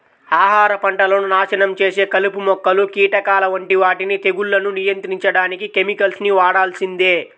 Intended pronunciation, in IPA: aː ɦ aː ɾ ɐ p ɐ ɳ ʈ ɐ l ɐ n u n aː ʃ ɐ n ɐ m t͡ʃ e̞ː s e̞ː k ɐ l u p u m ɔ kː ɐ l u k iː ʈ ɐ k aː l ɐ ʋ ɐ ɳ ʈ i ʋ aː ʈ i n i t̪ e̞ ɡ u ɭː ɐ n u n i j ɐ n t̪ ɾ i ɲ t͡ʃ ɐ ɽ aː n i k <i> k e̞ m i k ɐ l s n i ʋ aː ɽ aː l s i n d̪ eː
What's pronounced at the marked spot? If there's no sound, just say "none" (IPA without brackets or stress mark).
i